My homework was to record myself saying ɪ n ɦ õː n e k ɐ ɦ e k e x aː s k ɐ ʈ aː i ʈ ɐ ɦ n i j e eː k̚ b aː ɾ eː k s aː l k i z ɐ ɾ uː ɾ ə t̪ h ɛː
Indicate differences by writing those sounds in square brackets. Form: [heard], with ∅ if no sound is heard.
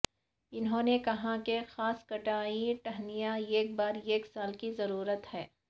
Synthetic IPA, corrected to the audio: ɪ n ɦ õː n e k ɐ ɦ [a] k e x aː s k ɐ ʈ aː i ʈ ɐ ɦ n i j [a] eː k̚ b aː ɾ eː k s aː l k i z ɐ ɾ uː ɾ ə t̪ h ɛː